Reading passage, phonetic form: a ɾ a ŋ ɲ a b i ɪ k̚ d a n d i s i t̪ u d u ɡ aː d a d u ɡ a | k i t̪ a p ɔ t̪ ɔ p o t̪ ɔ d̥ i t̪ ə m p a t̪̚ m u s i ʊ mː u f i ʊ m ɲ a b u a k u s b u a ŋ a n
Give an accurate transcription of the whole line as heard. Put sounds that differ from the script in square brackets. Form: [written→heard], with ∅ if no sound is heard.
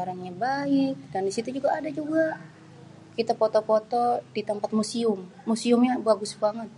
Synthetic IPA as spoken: a ɾ a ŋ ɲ a b [i→a] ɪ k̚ d a n d i s i t̪ u [d→d͡ʒ] u ɡ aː d a [d→d͡ʒ] u ɡ a | k i t̪ a p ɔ t̪ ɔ p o t̪ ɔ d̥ i t̪ ə m p a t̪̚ m u s i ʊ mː u [f→s] i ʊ m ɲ a b u a [k→ɡ] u s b u a ŋ a n